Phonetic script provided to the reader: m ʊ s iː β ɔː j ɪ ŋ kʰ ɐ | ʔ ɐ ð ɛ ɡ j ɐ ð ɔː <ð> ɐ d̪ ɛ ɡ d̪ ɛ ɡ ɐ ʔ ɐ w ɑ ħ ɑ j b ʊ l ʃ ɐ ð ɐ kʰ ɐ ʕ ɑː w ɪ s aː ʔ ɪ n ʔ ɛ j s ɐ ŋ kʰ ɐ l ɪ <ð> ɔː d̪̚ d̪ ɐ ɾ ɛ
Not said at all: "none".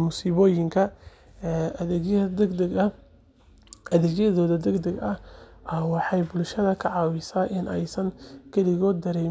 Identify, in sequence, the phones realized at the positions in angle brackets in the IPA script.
ð, ɣ

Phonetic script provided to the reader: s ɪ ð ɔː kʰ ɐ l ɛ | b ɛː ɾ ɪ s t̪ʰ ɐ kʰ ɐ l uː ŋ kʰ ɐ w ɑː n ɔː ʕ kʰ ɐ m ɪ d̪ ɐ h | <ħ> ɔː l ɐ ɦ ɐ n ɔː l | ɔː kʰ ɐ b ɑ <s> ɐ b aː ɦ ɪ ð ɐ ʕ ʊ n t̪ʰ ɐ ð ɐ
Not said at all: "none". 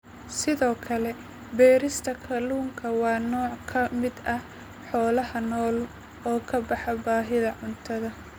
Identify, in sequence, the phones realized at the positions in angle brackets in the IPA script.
ħ, ħ

